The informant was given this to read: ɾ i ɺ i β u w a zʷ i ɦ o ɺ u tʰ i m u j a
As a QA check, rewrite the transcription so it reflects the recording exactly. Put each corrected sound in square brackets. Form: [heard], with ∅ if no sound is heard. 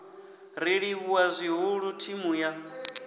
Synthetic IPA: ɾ i ɺ i β u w a zʷ i ɦ [u] ɺ u tʰ i m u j a